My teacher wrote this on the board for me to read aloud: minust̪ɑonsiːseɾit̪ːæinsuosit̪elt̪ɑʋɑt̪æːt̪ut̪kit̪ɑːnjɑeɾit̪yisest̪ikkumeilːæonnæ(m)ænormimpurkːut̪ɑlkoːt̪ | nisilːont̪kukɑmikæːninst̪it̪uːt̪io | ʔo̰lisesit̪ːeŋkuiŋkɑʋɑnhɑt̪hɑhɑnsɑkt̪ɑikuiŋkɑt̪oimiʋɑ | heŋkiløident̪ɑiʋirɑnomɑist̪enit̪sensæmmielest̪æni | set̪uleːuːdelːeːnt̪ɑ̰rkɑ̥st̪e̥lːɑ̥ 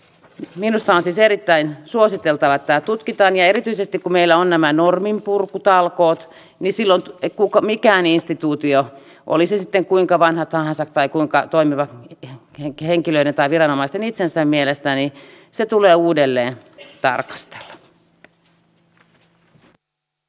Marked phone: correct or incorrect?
correct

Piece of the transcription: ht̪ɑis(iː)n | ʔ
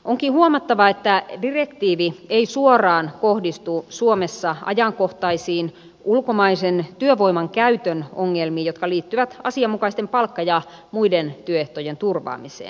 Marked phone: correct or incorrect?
correct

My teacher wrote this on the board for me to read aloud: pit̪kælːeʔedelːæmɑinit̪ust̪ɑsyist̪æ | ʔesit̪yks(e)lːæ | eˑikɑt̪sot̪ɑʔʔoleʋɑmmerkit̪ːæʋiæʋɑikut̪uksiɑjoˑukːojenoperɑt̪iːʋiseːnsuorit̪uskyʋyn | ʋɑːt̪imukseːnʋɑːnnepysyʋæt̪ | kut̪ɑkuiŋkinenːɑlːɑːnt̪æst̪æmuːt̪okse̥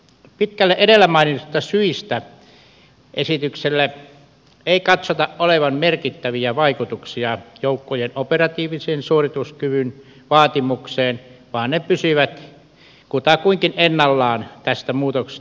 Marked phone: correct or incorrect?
correct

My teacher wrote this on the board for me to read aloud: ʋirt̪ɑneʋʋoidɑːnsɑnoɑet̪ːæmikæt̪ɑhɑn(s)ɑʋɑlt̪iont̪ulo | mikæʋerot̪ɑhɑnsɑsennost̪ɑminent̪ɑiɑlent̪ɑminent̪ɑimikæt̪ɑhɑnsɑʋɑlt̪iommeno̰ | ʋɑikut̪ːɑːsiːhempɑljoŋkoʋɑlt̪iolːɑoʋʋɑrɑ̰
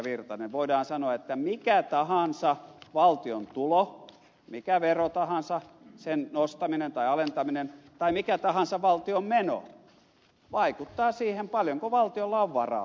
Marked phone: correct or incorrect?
correct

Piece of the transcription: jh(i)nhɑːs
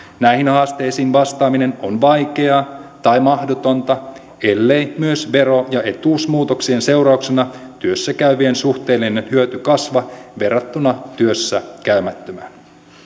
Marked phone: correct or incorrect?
correct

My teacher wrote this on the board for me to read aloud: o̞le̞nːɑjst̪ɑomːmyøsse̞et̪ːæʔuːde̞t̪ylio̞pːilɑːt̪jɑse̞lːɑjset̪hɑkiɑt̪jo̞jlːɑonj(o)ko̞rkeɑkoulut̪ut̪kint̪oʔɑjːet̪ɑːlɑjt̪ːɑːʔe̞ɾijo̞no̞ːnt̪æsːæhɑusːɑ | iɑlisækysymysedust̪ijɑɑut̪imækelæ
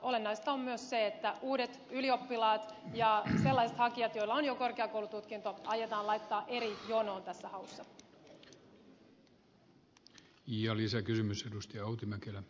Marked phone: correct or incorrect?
correct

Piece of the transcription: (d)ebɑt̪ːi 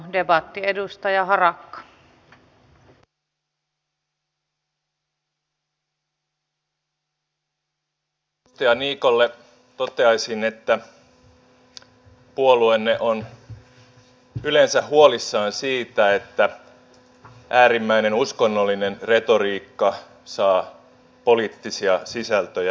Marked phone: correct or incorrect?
correct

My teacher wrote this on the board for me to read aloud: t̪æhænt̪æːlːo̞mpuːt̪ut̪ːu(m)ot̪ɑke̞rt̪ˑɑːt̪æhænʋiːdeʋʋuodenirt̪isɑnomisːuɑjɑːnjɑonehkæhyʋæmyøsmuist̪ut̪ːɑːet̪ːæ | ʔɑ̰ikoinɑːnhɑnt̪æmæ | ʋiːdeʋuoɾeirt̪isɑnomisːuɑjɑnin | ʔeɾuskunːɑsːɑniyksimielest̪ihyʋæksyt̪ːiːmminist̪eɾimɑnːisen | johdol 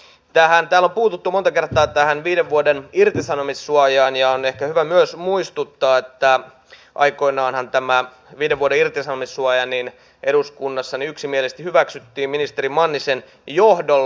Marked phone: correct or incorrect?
correct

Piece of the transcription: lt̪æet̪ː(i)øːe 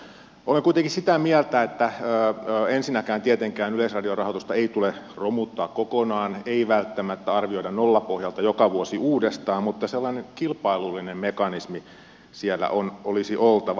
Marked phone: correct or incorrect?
incorrect: æ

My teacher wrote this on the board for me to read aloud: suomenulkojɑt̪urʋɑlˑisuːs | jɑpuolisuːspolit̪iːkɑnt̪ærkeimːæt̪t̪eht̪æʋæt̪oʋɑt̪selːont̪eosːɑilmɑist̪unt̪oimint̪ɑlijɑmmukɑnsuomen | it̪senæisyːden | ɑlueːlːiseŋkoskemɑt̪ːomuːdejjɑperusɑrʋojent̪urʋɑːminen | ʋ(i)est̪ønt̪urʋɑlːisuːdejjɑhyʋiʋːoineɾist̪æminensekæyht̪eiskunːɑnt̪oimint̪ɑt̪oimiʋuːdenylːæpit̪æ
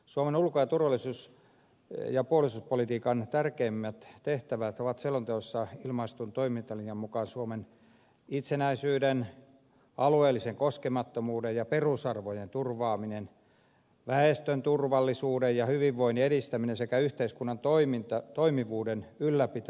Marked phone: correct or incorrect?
incorrect: æ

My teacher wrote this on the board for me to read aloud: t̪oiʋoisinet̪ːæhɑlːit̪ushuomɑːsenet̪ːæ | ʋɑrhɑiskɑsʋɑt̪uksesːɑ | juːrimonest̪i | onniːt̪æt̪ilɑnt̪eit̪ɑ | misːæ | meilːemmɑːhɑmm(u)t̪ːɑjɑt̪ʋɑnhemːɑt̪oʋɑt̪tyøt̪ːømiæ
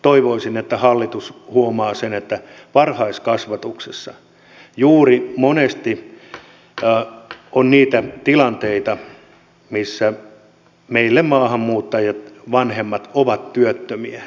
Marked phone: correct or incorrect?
incorrect: uː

